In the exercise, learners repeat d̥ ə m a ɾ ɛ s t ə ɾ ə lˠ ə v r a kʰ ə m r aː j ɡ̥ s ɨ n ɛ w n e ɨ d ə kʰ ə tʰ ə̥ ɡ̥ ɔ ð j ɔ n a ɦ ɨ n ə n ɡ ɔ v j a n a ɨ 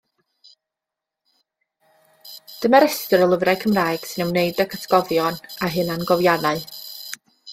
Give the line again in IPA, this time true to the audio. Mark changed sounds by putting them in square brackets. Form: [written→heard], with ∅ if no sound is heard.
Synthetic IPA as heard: d̥ ə m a ɾ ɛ s t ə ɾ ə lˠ ə v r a kʰ ə m r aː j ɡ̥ s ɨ n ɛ w n e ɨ d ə kʰ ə tʰ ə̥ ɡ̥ ɔ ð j ɔ n a ɦ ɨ n [ə→a] n ɡ ɔ v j a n a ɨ